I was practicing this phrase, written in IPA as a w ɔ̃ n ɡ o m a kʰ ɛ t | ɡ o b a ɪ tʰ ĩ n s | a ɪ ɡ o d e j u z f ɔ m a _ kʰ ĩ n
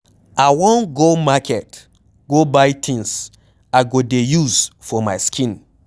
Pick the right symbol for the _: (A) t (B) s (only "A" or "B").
B